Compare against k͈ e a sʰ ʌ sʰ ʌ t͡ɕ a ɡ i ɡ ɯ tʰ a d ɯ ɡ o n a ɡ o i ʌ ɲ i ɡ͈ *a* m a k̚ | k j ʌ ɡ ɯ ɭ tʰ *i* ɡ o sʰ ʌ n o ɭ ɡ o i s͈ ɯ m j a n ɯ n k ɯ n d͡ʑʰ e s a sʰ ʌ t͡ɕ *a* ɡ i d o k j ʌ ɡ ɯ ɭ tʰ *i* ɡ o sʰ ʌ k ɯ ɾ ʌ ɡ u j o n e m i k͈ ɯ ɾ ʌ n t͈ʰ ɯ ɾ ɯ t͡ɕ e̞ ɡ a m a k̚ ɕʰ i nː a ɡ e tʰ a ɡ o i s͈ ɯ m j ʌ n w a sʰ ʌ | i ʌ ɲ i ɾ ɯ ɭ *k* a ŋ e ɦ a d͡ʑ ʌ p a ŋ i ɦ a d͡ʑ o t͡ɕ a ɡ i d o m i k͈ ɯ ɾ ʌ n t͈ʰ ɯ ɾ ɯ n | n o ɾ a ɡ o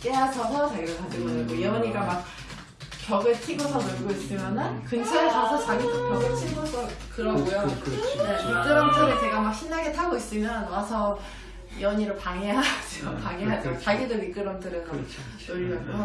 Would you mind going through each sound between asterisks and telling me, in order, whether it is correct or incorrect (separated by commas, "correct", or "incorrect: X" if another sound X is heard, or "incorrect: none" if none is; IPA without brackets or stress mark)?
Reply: correct, correct, correct, correct, incorrect: p